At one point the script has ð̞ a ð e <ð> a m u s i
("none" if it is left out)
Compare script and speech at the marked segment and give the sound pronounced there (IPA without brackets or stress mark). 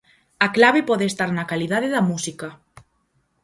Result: ð